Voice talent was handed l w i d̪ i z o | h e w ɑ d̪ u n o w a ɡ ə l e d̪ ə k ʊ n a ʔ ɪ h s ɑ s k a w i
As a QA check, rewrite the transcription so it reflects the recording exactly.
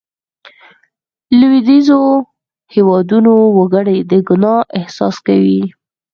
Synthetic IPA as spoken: l w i d̪ i z o | h e w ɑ d̪ u n o w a ɡ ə ɽ e d̪ ə ɡ ʊ n ɑ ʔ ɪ h s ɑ s k a w i

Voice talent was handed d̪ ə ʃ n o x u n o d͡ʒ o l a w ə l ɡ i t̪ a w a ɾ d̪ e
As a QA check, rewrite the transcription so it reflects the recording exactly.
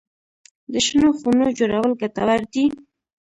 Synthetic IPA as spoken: d̪ ə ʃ n o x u n o d͡ʒ o ɾ a w ə l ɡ a t̪ a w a ɾ d̪ i

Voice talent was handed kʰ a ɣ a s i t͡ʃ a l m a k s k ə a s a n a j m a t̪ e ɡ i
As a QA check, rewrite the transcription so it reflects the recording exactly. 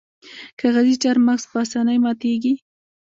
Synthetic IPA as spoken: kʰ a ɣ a z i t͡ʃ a ɾ m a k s p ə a s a n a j m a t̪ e ɡ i

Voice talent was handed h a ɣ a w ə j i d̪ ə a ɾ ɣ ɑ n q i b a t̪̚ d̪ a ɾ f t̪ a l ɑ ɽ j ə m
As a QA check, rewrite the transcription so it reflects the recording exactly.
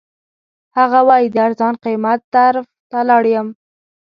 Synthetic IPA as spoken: h a ɣ a w ɑ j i d̪ ə a ɾ z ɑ n q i m a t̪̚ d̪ a ɾ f t̪ a l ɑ ɽ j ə m

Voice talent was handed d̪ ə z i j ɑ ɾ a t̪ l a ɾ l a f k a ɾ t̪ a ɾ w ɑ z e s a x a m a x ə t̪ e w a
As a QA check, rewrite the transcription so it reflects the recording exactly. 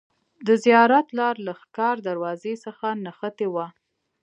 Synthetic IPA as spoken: d̪ ə z i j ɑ ɾ a t̪ l ɑ ɾ l a x k ɑ ɾ d̪ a ɾ w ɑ z e s ə x a n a x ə t̪ e w a

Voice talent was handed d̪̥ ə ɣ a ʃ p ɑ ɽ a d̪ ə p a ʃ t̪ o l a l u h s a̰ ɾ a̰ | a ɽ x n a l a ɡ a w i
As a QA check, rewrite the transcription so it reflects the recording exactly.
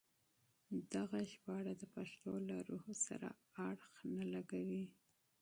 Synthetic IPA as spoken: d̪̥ a ɣ a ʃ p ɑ ɽ a d̪ ə p a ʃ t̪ o l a ɾ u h s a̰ ɾ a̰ | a ɽ x n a l a ɡ a w i

